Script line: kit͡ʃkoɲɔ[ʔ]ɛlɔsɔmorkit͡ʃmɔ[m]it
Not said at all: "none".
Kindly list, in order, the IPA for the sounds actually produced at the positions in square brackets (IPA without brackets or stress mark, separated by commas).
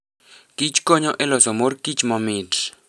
ʔ, m